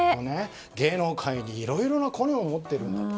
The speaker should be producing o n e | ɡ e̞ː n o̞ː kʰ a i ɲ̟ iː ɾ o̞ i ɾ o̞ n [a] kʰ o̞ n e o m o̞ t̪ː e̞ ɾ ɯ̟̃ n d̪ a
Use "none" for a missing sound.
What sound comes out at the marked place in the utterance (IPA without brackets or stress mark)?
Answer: a